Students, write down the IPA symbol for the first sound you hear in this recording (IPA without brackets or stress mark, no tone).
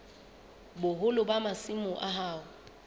b